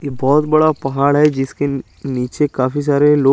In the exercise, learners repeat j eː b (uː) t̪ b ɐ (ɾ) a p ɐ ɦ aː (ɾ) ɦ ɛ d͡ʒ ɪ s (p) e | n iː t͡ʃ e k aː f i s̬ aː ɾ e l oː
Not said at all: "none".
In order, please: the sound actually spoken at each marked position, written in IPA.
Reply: ɔː, ɽ, ɽ, k

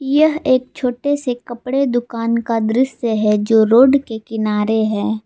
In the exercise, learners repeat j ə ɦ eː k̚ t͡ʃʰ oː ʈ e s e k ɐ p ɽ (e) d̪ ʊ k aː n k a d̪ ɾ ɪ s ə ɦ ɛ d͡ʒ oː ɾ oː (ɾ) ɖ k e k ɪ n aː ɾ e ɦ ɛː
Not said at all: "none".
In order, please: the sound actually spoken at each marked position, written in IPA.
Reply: e, none

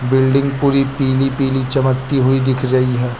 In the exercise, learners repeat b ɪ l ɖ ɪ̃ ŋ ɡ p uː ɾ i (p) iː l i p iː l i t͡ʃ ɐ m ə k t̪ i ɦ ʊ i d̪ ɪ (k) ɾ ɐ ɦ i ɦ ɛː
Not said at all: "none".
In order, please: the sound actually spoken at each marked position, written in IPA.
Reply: p, kʰ

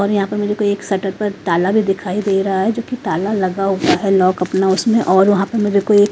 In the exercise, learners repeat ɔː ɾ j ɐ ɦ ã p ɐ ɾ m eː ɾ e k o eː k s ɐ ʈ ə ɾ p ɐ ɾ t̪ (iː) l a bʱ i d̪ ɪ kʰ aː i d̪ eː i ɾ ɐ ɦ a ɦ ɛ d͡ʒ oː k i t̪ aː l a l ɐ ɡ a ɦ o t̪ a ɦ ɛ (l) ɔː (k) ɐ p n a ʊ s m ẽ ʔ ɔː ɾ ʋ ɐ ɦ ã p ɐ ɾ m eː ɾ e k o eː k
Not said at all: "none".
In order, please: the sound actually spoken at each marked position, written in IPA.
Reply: aː, l, k

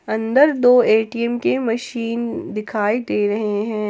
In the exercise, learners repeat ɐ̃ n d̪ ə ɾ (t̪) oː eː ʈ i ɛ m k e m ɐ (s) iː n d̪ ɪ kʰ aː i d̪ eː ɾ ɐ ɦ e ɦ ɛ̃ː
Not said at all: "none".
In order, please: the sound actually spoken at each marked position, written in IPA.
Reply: d̪, ʃ

